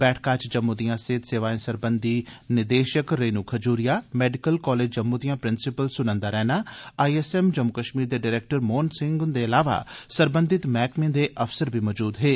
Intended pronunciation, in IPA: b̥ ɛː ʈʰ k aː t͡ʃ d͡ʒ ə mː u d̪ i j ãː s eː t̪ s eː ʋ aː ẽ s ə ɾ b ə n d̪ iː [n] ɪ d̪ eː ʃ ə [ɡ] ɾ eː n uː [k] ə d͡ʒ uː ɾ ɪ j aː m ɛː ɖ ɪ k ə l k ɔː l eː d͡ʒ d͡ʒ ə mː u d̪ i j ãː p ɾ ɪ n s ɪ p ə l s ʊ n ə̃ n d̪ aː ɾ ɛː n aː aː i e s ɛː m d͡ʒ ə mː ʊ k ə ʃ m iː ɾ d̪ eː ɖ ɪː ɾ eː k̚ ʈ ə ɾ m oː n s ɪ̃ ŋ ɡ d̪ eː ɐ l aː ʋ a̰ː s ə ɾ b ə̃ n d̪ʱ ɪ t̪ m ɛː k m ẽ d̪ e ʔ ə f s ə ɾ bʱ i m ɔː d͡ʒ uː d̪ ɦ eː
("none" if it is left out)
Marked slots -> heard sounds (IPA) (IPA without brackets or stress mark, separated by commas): n, k, kʰ